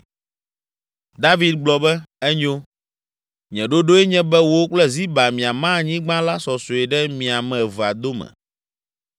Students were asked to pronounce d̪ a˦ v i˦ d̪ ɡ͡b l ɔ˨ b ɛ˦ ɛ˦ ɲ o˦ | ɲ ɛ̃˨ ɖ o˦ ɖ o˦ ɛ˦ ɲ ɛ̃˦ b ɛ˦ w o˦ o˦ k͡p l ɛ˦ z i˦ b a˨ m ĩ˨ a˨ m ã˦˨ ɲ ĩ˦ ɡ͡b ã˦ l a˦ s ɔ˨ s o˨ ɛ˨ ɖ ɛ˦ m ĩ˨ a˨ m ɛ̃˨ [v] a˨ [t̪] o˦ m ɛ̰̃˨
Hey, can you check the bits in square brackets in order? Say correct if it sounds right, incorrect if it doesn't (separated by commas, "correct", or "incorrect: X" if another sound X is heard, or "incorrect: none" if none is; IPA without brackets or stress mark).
correct, incorrect: d̪